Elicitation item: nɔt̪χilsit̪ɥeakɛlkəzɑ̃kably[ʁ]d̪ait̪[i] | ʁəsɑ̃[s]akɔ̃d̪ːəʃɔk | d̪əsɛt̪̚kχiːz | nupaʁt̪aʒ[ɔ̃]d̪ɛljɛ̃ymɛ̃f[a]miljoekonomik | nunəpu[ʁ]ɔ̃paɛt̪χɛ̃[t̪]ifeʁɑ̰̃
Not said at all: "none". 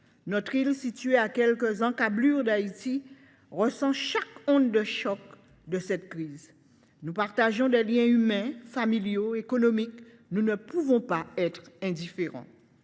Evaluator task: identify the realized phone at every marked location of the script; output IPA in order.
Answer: ʁ, i, ʃ, ɔ̃, a, v, d̪

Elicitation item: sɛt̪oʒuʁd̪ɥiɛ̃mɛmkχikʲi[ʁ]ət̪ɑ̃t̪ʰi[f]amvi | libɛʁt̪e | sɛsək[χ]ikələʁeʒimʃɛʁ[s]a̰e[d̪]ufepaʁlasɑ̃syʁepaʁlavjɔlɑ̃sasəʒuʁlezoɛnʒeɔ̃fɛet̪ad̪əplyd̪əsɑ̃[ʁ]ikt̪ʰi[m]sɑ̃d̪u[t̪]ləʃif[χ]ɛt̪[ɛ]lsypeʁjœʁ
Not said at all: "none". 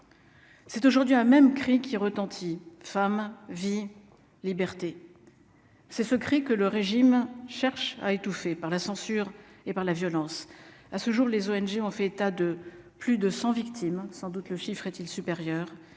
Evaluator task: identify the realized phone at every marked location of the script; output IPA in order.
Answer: ʁ, f, χ, ʃ, t̪, v, m, t̪, χ, i

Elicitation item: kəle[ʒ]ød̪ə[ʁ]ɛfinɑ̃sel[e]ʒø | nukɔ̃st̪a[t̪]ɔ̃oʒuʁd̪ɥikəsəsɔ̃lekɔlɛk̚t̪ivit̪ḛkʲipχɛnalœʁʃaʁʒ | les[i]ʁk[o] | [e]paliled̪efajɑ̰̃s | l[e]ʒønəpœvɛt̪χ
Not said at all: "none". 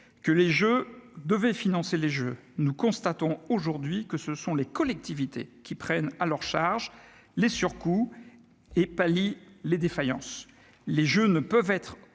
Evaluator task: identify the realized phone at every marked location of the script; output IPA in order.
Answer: ʒ, v, e, t̪, y, u, e, e

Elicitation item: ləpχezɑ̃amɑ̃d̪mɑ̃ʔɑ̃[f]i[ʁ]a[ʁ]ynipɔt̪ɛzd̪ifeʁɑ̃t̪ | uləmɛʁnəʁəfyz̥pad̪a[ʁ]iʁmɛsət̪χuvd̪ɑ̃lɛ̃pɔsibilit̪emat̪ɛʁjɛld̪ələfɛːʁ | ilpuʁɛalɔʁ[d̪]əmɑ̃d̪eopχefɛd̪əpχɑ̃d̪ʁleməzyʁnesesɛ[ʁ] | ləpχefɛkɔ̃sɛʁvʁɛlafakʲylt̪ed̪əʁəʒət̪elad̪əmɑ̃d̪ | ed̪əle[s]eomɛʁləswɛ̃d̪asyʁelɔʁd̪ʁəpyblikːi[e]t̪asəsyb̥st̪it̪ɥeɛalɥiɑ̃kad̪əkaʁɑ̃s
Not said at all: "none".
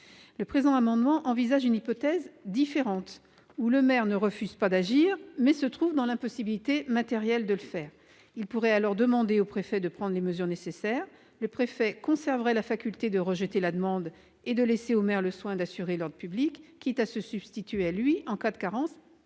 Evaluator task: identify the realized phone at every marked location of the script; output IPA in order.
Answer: v, z, ʒ, ʒ, d̪, ʁ, s, ɛ

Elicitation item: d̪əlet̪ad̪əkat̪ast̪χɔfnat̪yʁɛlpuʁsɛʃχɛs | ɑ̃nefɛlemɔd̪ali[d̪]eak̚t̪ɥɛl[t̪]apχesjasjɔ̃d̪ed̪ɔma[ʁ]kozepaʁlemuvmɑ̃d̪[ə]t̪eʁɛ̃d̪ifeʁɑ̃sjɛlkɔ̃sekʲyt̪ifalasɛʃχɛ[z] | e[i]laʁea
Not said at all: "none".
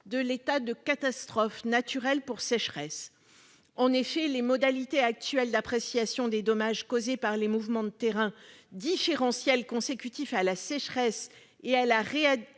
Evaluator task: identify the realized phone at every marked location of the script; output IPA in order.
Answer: t̪, d̪, ʒ, ə, s, a

